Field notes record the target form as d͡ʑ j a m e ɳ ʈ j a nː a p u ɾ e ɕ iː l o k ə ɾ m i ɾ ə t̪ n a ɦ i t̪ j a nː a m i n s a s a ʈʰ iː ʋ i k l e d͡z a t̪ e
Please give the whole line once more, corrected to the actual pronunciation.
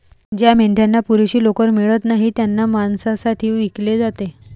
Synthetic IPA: d͡ʑ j a m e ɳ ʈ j a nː a p u ɾ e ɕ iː l o k ə ɾ m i ɭ ə t̪ n a ɦ i t̪ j a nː a m a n s a s a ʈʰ iː ʋ i k l e d͡z a t̪ e